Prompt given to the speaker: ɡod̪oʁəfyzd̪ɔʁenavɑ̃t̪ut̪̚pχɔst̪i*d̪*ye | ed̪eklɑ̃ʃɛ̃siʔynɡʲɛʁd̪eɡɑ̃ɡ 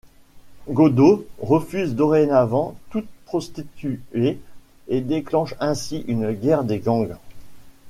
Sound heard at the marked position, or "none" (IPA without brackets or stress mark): t̪